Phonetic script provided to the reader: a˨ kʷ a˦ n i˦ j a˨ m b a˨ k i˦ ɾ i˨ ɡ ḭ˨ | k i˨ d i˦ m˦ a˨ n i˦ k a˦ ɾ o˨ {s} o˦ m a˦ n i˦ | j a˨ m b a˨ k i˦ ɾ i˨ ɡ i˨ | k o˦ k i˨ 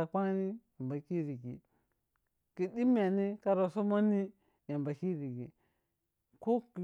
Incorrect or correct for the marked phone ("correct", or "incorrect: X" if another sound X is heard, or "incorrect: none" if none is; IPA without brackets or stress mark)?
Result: correct